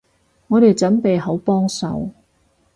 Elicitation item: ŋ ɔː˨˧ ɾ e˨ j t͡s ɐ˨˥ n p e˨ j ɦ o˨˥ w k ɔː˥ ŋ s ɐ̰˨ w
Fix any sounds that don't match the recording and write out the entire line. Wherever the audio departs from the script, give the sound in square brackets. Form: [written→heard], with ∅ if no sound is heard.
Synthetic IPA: ŋ ɔː˨˧ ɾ e˨ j t͡s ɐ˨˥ n p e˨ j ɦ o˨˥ w [k→p] ɔː˥ ŋ s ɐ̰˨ w